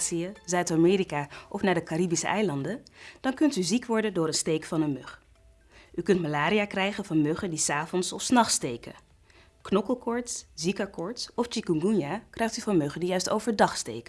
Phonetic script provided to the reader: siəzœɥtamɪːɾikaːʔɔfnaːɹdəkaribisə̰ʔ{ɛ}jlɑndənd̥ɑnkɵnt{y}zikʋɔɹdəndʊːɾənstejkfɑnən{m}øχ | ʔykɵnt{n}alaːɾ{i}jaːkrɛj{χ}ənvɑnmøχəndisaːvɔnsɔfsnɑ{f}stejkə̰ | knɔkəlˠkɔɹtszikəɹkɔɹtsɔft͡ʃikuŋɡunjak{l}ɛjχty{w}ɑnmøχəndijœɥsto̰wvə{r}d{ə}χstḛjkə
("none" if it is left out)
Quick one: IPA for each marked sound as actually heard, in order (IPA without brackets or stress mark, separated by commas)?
ɛ, y, m, m, i, χ, χ, r, v, ɹ, ɑ